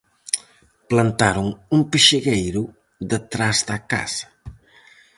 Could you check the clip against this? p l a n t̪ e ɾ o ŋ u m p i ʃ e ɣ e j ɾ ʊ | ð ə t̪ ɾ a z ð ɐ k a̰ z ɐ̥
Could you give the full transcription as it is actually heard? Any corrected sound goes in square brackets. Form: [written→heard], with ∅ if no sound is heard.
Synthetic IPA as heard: p l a n t̪ [e→a] ɾ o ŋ u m p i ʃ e ɣ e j ɾ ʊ | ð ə t̪ ɾ a z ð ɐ k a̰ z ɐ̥